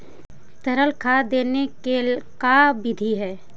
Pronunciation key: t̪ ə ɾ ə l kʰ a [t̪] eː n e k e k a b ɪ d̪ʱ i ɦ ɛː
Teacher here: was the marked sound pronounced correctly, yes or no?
no